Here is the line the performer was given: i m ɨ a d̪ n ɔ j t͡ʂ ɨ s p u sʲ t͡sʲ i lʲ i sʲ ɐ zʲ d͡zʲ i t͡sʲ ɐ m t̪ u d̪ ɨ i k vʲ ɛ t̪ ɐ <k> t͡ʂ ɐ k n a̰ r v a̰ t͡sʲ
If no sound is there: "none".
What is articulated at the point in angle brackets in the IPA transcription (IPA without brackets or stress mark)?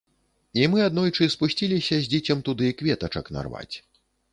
none